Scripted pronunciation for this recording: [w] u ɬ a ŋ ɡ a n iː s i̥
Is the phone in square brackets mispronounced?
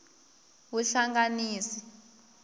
no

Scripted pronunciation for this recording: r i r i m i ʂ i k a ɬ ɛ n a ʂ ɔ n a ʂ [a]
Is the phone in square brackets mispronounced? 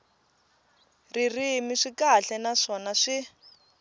yes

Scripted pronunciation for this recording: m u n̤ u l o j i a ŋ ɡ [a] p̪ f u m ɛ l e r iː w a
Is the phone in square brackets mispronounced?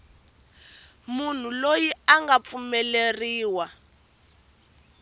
no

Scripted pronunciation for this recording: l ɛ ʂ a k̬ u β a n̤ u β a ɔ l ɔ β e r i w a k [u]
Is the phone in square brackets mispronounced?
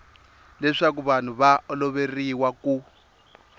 no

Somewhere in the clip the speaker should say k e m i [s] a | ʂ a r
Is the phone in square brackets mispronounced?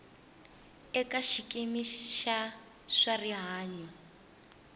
yes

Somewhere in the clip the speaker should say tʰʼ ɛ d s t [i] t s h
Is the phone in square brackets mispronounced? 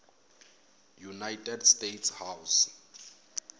yes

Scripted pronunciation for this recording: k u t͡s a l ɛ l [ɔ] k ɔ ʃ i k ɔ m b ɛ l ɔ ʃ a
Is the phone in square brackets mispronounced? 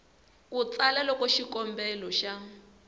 no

